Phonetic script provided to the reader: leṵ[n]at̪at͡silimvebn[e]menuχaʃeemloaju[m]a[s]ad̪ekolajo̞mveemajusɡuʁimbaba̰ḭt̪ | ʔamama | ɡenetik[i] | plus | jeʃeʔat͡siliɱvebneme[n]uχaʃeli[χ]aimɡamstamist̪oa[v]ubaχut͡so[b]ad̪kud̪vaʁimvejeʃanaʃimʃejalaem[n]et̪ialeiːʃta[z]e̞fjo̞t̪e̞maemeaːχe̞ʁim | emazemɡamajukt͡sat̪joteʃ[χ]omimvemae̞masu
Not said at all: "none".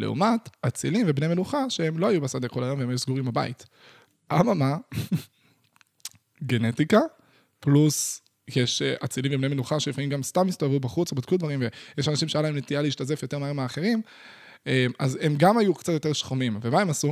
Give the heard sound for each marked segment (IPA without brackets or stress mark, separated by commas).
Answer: m, e, b, s, a, n, f, v, b, n, z, χ